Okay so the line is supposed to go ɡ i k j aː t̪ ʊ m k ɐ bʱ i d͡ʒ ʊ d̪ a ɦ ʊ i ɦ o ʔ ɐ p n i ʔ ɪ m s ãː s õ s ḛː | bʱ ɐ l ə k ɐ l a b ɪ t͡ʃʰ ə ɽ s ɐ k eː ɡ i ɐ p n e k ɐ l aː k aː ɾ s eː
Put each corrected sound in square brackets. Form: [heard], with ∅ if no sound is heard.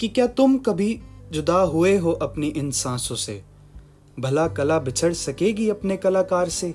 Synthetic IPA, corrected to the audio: [k] i k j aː t̪ ʊ m k ɐ bʱ i d͡ʒ ʊ d̪ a ɦ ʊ [e] ɦ o ʔ ɐ p n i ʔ ɪ [n] s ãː s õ s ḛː | bʱ ɐ l [a] k ɐ l a b ɪ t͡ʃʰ ə ɽ s ɐ k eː ɡ i ɐ p n e k ɐ l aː k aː ɾ s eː